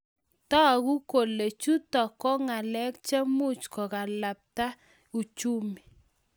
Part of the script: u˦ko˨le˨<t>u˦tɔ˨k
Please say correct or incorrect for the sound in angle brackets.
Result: incorrect